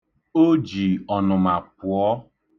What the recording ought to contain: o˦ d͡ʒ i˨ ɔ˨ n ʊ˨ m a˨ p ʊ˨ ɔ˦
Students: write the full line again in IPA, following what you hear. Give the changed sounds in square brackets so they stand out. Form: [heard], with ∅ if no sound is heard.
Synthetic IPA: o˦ d͡ʒ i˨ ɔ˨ n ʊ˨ m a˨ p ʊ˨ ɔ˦